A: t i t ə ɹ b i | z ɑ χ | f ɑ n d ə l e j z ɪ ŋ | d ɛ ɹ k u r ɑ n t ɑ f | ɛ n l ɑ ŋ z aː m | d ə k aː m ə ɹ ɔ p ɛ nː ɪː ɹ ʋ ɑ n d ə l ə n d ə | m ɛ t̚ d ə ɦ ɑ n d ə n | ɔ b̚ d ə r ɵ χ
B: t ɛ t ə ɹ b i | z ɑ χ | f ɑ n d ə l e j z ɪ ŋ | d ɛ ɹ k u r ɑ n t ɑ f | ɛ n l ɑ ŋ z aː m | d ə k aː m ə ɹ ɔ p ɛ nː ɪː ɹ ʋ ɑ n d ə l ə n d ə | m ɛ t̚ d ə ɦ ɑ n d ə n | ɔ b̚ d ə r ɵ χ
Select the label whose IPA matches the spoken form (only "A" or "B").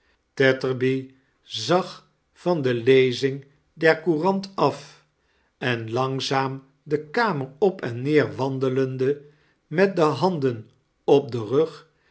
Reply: B